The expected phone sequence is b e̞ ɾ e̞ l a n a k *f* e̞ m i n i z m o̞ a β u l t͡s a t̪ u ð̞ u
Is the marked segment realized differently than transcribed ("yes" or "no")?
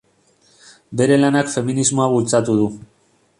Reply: no